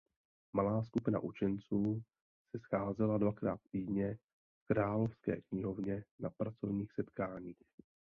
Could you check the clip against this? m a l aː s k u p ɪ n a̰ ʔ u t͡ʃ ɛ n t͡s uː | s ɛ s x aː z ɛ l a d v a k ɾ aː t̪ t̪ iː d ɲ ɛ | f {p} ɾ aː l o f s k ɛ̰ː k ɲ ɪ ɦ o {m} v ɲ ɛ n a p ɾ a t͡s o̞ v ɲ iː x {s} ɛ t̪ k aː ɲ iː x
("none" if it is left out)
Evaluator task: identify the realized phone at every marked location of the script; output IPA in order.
k, none, s

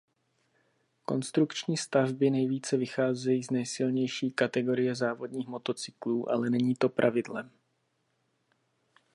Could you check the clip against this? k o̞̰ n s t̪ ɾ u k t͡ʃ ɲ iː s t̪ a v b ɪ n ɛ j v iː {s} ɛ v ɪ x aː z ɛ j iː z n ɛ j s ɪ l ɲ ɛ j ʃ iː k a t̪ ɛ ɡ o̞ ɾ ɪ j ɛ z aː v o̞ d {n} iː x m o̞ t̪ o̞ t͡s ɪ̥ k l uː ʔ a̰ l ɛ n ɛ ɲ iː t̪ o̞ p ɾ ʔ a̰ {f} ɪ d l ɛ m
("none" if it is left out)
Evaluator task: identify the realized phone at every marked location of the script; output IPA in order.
t͡s, ɲ, v

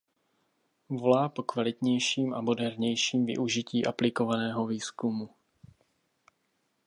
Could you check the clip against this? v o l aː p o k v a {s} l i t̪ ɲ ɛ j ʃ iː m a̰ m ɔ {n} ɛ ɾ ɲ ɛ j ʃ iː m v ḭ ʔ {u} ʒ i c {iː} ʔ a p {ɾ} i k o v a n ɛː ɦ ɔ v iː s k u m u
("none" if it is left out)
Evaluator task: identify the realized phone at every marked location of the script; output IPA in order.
none, d, u, iː, l

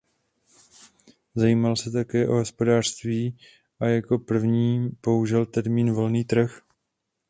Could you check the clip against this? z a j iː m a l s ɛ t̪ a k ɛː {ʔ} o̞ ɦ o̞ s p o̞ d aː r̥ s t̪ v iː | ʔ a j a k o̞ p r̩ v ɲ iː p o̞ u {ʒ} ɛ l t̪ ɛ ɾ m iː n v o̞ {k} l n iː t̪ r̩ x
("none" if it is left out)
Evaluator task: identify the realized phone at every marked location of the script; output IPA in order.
ʔ, ʒ, none

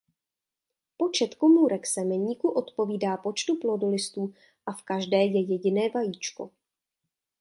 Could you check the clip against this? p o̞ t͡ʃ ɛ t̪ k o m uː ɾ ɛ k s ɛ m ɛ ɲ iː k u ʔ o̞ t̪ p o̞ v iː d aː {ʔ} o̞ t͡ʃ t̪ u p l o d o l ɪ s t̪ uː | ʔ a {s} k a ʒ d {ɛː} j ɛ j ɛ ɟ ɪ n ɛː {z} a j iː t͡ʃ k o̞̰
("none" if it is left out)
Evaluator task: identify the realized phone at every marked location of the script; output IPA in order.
p, f, ɛː, v

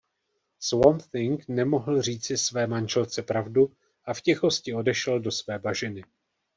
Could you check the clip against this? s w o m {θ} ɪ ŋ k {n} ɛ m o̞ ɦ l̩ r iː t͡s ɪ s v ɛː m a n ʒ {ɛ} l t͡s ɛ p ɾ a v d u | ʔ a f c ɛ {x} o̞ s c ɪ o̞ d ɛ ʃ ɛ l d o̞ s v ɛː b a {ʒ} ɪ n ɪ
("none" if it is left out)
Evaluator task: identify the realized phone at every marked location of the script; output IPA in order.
θ, n, ɛ, x, ʒ

